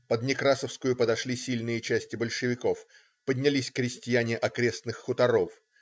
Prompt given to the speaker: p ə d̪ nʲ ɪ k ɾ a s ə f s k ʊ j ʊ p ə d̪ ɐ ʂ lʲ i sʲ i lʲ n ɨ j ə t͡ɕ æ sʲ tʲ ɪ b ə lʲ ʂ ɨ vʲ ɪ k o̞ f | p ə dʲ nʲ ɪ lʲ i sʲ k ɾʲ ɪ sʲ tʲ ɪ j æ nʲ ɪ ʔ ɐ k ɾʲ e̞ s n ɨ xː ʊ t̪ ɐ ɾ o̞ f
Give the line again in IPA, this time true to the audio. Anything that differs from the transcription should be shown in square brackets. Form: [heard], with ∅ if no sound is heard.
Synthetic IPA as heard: p ə d̪ nʲ ɪ k ɾ a s ə f s k ʊ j ʊ p ə d̪ ɐ ʂ lʲ i sʲ i lʲ n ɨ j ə t͡ɕ æ sʲ tʲ ɪ b ə lʲ ʂ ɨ vʲ ɪ k o̞ f | p ə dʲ nʲ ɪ lʲ i sʲ k ɾʲ ɪ sʲ tʲ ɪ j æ nʲ ɪ ʔ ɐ k ɾʲ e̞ s n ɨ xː ʊ t̪ ɐ ɾ o̞ f